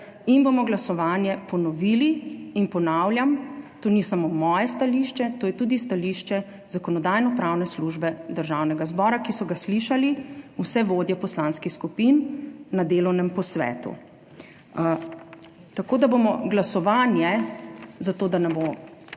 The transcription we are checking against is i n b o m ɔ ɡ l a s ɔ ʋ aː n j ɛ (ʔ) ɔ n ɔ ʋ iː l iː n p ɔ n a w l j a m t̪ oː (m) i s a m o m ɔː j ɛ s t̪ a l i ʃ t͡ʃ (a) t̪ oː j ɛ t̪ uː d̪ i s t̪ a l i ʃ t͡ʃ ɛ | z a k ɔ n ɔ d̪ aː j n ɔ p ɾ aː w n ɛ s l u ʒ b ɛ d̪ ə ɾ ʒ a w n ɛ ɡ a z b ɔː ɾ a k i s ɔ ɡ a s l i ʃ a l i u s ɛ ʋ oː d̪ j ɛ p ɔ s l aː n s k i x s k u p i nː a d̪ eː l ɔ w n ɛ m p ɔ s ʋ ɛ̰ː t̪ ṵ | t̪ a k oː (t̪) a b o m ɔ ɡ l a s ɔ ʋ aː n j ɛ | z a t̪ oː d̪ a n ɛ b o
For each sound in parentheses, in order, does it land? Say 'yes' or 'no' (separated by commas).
no, no, no, no